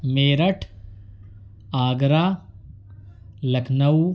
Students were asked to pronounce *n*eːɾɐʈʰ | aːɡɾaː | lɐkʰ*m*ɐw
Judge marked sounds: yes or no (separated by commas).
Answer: no, no